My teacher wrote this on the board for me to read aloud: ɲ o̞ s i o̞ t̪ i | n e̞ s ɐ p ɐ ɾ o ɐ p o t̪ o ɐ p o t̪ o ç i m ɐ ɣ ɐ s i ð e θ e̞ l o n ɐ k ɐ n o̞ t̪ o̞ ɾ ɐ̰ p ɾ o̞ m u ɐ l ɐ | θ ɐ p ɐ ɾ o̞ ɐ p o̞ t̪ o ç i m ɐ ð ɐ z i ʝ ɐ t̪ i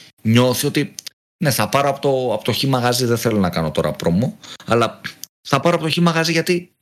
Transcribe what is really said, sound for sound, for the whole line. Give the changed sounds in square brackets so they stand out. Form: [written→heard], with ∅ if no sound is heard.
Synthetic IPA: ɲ o̞ [s→θ] i o̞ t̪ i | n e̞ [s→θ] ɐ p ɐ ɾ o ɐ p o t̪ o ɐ p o t̪ o ç i m ɐ ɣ ɐ [s→z] i ð e θ e̞ l o n ɐ k ɐ n o̞ t̪ o̞ ɾ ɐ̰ p ɾ o̞ m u ɐ l ɐ | θ ɐ p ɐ ɾ o̞ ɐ p o̞ t̪ o ç i m ɐ [ð→ɣ] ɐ z i ʝ ɐ t̪ i